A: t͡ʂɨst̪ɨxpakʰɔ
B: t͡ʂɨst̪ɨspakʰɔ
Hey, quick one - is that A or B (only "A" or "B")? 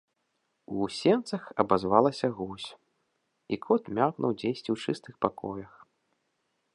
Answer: A